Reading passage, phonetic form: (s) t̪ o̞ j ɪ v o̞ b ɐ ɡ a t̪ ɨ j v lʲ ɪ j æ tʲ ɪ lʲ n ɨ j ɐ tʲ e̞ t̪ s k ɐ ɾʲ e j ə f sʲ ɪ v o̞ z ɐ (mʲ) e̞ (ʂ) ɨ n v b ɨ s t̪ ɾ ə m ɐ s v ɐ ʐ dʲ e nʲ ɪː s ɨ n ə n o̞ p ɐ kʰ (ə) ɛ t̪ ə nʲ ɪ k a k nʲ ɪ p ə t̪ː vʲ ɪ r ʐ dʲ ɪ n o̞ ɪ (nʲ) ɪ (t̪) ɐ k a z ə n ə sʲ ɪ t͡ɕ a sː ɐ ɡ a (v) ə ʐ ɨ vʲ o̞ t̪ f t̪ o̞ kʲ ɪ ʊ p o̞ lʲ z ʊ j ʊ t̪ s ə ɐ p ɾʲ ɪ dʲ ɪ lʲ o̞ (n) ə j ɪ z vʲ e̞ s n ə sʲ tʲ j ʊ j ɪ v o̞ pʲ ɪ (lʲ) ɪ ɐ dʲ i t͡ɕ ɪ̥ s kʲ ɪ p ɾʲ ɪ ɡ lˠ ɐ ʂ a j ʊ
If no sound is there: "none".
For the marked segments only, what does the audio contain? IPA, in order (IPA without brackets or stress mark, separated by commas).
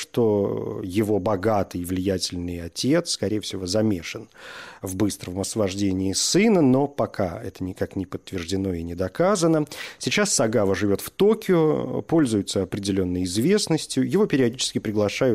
ʂ, mʲ, ʂ, a, nʲ, d̪, v, nː, ɾʲ